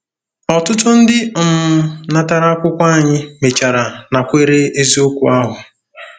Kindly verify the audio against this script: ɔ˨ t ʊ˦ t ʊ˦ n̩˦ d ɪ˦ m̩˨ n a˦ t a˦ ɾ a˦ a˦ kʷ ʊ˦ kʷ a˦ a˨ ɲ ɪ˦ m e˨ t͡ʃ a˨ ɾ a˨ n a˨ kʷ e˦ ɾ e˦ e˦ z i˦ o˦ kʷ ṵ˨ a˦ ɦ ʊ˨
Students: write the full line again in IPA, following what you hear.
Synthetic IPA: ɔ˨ t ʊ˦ t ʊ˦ n̩˦ d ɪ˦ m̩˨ n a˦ t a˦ ɾ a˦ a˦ kʷ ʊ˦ kʷ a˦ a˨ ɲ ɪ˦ m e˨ t͡ʃ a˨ ɾ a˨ n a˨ kʷ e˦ ɾ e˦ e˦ z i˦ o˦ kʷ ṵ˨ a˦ ɦ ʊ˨